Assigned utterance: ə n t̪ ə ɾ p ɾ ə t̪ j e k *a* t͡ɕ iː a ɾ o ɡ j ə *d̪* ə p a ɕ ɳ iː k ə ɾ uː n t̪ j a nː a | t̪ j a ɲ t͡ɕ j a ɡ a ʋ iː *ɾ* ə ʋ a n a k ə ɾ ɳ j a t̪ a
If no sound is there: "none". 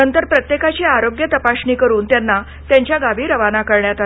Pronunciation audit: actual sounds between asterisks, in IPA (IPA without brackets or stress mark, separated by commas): a, t̪, ɾ